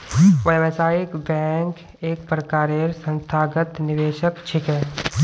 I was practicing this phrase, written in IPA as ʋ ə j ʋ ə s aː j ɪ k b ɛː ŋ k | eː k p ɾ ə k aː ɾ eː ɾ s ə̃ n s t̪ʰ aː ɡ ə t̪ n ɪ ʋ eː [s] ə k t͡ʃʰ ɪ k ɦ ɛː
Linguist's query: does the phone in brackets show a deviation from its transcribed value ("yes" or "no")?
yes